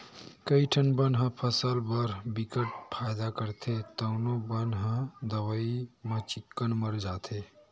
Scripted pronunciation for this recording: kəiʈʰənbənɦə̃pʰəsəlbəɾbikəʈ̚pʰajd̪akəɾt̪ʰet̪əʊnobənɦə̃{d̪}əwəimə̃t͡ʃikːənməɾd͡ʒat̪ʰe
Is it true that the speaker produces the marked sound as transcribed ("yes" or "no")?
yes